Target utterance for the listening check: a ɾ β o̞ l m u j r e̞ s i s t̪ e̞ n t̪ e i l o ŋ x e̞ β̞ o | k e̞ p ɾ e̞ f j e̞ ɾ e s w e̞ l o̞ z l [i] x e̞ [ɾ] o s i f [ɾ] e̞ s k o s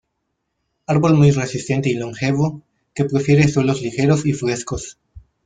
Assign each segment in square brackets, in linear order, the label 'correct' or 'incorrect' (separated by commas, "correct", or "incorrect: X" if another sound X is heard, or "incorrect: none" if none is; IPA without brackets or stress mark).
correct, correct, correct